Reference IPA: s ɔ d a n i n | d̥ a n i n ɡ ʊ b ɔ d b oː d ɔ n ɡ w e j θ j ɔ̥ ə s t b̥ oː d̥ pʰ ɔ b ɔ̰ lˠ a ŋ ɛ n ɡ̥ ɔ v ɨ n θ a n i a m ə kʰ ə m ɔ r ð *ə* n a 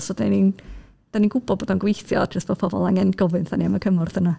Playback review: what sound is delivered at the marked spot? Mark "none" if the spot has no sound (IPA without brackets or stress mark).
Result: ə